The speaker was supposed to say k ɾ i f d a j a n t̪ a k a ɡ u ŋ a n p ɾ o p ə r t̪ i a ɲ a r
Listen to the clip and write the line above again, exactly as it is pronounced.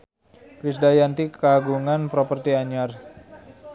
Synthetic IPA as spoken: k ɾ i s d a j a n t̪ i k a ɡ u ŋ a n p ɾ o p ə r t̪ i a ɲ a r

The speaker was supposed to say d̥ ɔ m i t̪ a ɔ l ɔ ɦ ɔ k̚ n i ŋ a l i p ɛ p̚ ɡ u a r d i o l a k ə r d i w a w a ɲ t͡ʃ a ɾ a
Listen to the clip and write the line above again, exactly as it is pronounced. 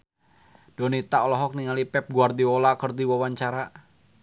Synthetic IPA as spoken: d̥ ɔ n i t̪ a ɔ l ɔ ɦ ɔ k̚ n i ŋ a l i p ɛ p̚ ɡ u a r d i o l a k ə r d i w a w a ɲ t͡ʃ a ɾ a

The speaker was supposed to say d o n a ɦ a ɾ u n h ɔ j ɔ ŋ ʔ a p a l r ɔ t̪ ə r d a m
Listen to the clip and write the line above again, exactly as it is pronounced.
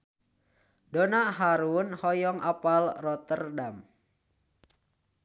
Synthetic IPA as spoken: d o n a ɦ a ɾ u n h ɔ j ɔ ŋ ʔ a p a l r ɔ t̪ ə r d a m

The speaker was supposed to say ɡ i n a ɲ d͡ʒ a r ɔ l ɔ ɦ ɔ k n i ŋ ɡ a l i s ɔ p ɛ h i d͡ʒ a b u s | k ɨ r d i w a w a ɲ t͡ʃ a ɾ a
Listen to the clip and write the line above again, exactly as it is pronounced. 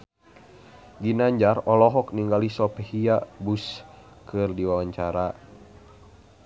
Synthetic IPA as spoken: ɡ i n a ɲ d͡ʒ a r ɔ l ɔ ɦ ɔ k n i ŋ ɡ a l i s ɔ p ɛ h i a b u s | k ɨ r d i w a w a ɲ t͡ʃ a ɾ a

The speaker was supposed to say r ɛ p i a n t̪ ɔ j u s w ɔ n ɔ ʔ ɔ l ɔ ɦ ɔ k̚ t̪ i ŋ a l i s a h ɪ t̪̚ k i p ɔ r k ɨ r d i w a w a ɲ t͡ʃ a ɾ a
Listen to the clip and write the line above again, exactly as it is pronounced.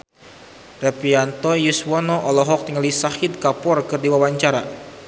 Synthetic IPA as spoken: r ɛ p i a n t̪ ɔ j u s w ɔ n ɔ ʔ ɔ l ɔ ɦ ɔ k̚ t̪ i ŋ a l i s a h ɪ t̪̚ k a p ɔ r k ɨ r d i w a w a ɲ t͡ʃ a ɾ a

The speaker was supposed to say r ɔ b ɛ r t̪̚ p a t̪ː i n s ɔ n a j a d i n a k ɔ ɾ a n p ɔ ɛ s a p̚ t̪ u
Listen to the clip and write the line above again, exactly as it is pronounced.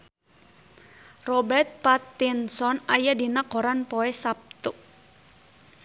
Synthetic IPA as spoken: r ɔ b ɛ r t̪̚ p a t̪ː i n s ɔ n a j a d i n a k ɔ ɾ a n p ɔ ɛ s a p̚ t̪ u

